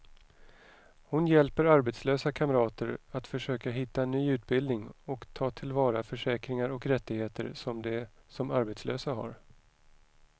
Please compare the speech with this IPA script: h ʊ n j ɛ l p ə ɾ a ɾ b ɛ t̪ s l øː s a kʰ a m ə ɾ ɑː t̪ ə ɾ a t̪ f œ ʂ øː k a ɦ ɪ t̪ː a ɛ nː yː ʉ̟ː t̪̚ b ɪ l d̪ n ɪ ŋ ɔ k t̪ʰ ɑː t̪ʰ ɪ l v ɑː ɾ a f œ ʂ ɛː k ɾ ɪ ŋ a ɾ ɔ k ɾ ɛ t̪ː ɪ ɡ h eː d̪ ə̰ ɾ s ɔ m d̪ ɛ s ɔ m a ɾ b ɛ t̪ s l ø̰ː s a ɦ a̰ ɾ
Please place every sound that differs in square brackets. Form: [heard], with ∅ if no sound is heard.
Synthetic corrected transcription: h ʊ n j ɛ l p ə ɾ a ɾ b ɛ t̪ s l øː s a kʰ a m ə ɾ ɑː t̪ ə ɾ a t̪ f œ ʂ øː k a ɦ ɪ t̪ː a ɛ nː yː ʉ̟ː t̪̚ b ɪ l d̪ n ɪ ŋ ɔ k t̪ʰ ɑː t̪ʰ ɪ l v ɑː ɾ a f œ ʂ ɛː k ɾ ɪ ŋ a ɾ ɔ k ɾ ɛ t̪ː ɪ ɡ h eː [t̪] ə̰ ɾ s ɔ m d̪ ɛ s ɔ m a ɾ b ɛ t̪ s l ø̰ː s a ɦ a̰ ɾ